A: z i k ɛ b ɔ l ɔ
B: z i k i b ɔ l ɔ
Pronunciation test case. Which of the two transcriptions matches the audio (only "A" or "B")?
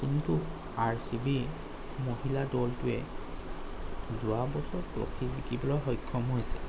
B